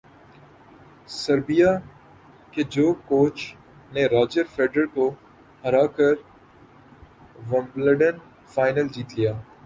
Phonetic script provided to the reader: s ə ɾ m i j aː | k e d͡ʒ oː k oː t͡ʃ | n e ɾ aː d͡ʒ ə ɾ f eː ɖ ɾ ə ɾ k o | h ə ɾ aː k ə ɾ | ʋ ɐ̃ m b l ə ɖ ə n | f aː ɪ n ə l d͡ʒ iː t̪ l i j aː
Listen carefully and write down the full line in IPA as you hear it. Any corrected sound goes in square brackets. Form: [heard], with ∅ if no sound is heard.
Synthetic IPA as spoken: s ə ɾ [b] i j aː | k e d͡ʒ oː k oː t͡ʃ | n e ɾ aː d͡ʒ ə ɾ f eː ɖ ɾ ə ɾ k o | h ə ɾ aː k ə ɾ | ʋ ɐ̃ m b l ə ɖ ə n | f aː ɪ n ə l d͡ʒ iː t̪ l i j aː